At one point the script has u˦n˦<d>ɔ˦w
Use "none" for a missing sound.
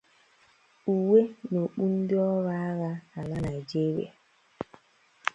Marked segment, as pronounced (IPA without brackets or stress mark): d